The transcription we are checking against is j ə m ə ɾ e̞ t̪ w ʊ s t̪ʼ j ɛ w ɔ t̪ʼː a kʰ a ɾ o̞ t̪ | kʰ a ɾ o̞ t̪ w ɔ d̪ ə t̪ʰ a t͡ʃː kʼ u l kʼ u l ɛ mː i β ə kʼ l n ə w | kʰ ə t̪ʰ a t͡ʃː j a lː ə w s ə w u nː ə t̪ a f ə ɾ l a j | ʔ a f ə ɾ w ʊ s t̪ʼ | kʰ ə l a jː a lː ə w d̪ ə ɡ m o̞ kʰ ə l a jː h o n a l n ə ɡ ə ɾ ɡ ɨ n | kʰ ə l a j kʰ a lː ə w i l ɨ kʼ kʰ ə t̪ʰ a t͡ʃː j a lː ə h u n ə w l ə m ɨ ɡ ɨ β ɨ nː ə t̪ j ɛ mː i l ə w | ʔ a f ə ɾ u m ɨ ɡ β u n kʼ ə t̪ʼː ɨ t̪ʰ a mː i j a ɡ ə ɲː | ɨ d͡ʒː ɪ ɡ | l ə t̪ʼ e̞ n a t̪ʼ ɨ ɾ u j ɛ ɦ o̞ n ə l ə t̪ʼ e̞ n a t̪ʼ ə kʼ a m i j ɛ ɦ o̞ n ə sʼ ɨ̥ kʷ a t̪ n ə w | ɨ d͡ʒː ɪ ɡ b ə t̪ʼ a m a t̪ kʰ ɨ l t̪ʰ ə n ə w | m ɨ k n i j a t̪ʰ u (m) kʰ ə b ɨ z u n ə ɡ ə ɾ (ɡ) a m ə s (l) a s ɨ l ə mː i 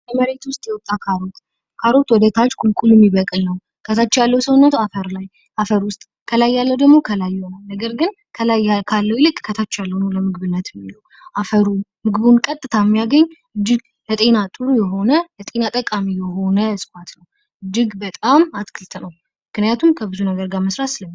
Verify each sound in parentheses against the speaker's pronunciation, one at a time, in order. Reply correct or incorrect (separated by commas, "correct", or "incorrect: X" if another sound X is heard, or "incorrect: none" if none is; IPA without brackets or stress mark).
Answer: correct, correct, incorrect: ɾ